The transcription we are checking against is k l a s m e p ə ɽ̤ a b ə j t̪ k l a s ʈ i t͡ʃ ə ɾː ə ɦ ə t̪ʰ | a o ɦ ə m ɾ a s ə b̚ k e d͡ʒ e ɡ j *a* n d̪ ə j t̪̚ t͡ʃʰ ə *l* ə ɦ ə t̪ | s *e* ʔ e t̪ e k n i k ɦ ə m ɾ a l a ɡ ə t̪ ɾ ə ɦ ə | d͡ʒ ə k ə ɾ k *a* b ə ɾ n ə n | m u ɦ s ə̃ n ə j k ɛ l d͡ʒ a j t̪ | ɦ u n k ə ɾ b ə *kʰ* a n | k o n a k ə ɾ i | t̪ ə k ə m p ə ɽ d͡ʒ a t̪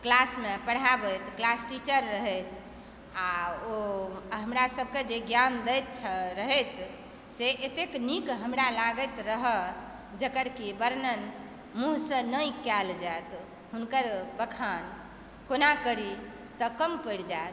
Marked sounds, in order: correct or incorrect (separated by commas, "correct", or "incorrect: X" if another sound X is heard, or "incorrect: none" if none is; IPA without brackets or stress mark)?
correct, incorrect: ɾ, correct, incorrect: i, correct